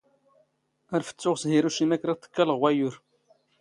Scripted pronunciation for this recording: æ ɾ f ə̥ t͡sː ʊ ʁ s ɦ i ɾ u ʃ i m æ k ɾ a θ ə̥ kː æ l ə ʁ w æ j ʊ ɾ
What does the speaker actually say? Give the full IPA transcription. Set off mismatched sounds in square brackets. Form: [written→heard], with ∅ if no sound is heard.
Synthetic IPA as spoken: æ ɾ f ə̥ t͡sː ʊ ʁ s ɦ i ɾ u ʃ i m æ k ɾ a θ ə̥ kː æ l ə ʁ w æ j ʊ ɾ